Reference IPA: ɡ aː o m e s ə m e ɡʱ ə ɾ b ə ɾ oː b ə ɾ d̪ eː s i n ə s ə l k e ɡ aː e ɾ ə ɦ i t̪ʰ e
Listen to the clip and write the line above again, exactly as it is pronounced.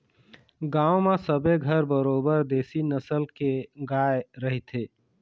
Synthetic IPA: ɡ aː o m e s ə b e ɡʱ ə ɾ b ə ɾ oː b ə ɾ d̪ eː s i n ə s ə l k e ɡ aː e ɾ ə ɦ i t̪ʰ e